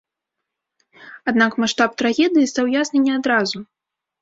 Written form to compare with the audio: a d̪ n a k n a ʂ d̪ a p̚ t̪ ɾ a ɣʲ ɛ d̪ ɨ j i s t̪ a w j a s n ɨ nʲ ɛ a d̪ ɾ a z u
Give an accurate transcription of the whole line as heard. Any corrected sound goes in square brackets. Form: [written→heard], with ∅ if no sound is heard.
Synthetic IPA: a d̪ n a k [n→m] a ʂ [d̪→t̪] a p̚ t̪ ɾ a ɣʲ ɛ d̪ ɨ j i s t̪ a w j a s n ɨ nʲ ɛ a d̪ ɾ a z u